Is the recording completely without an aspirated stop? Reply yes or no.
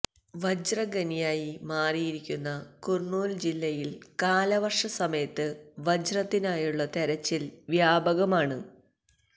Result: yes